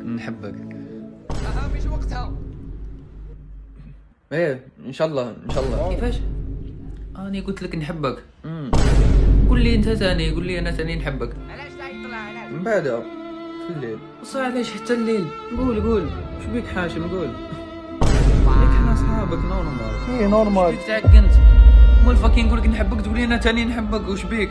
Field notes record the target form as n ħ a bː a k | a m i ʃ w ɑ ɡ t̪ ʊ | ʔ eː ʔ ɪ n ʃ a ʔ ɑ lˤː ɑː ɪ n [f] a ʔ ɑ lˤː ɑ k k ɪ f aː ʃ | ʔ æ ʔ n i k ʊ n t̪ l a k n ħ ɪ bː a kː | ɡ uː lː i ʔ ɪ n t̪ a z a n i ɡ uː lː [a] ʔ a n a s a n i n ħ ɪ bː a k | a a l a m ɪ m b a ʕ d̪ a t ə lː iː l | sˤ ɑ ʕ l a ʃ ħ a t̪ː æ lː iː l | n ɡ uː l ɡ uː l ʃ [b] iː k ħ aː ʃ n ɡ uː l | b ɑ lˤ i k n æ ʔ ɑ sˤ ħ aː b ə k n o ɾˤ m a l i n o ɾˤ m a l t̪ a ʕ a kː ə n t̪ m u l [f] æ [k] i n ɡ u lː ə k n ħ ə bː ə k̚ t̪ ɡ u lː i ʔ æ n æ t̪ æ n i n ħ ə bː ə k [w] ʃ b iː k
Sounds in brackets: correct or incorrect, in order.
incorrect: ʃ, incorrect: i, correct, correct, correct, correct

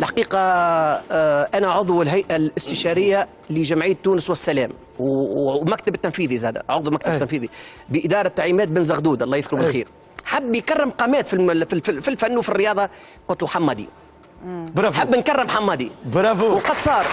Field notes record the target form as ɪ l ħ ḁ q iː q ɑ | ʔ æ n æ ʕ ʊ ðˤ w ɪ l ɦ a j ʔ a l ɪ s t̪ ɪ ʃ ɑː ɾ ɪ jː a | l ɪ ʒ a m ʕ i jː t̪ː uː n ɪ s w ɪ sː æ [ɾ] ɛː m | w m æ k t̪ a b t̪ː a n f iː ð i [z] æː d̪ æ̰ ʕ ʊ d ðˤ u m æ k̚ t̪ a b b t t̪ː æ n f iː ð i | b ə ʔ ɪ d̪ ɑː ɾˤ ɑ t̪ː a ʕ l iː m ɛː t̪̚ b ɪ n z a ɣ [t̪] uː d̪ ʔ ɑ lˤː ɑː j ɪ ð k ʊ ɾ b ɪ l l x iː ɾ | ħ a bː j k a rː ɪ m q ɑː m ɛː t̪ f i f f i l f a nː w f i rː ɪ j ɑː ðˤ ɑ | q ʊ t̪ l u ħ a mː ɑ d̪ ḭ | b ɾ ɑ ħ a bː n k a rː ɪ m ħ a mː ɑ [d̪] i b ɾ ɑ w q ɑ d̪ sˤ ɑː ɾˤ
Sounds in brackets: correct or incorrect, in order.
incorrect: l, correct, incorrect: d̪, correct

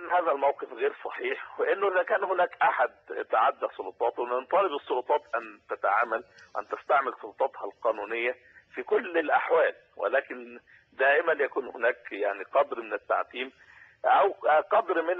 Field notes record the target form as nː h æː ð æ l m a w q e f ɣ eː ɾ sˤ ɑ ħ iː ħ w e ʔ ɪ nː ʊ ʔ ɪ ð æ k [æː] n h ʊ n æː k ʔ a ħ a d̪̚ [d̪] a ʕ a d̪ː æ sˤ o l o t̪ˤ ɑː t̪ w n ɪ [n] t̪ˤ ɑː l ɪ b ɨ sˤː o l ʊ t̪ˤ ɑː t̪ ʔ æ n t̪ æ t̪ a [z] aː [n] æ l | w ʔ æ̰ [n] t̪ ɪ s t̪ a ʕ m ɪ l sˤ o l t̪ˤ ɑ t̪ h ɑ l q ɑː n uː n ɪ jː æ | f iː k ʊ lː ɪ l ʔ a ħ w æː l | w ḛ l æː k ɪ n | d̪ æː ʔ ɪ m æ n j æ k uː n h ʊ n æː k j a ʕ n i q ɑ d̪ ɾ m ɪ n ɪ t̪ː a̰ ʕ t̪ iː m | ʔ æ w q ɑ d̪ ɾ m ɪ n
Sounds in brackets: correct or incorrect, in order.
correct, incorrect: t̪, correct, incorrect: ʕ, incorrect: m, correct

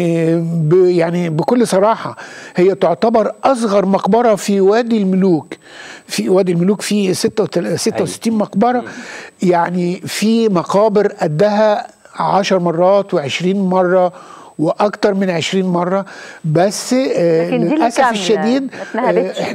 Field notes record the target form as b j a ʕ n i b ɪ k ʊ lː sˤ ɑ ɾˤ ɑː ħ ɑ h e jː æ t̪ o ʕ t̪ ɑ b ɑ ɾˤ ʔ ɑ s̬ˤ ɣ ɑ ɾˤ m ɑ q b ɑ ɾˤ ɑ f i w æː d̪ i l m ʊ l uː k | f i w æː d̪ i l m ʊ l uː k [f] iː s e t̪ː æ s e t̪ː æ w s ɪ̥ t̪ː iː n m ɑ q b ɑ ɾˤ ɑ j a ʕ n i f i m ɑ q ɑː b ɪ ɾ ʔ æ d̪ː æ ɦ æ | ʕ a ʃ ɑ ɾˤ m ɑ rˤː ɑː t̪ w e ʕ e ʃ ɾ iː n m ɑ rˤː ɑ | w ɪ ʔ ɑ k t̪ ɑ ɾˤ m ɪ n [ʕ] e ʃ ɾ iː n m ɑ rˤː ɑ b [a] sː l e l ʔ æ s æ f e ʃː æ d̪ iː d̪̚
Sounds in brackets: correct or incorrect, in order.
correct, correct, incorrect: æ

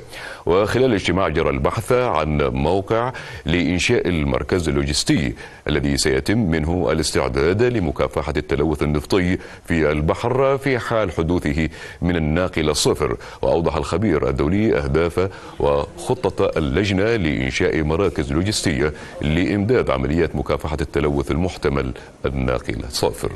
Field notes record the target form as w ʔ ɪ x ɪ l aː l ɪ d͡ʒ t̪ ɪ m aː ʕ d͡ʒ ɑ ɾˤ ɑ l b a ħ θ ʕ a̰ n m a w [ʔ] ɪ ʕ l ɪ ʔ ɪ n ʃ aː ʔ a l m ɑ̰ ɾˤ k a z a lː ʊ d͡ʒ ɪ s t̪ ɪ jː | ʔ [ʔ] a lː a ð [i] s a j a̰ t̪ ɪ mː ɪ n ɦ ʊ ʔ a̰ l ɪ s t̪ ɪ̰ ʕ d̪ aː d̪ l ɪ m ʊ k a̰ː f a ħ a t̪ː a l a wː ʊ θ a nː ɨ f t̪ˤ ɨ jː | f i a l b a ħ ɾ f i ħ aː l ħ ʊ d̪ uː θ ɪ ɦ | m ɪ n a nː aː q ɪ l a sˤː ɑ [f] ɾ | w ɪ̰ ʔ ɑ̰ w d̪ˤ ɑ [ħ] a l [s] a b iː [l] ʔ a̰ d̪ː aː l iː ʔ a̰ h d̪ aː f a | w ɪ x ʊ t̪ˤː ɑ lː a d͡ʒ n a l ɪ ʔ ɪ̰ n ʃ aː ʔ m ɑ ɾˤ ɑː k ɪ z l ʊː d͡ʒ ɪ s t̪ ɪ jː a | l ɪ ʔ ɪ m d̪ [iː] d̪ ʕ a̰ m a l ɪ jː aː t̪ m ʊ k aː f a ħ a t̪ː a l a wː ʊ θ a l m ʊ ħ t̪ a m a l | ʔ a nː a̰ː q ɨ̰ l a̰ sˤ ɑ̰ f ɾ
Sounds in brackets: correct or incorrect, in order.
incorrect: q, correct, correct, correct, correct, incorrect: x, incorrect: ɾ, incorrect: aː

